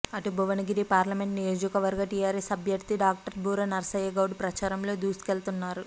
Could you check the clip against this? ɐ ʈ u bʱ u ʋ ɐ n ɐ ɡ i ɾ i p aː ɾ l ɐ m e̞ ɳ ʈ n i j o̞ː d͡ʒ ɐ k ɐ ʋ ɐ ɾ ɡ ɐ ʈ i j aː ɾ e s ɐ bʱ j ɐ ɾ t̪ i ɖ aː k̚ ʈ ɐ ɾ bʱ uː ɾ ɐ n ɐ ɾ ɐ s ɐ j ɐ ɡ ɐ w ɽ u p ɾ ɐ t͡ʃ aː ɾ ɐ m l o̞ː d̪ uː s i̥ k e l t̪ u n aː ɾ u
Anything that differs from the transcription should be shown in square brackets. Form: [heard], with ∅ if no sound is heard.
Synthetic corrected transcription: ɐ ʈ u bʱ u ʋ ɐ n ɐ ɡ i ɾ i p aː ɾ l ɐ m e̞ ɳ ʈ n i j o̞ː d͡ʒ ɐ k ɐ ʋ ɐ ɾ ɡ ɐ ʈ i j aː ɾ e s ɐ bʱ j ɐ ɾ t̪ i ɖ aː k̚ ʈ ɐ ɾ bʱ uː ɾ ɐ n ɐ ɾ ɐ s ɐ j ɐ ɡ ɐ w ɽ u p ɾ ɐ t͡ʃ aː ɾ ɐ m l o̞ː d̪ uː s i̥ k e l t̪ u [nː] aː ɾ u